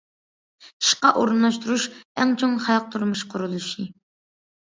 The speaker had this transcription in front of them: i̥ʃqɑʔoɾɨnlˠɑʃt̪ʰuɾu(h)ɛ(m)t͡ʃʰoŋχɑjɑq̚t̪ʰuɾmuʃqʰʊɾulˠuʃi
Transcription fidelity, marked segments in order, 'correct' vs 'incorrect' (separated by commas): incorrect, incorrect